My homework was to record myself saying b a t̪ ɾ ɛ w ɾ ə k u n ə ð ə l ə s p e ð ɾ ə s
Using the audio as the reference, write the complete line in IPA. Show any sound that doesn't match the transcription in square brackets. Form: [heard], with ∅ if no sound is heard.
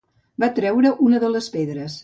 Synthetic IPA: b a t̪ ɾ ɛ w ɾ ə [ʔ] u n ə ð ə l ə s p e ð ɾ ə s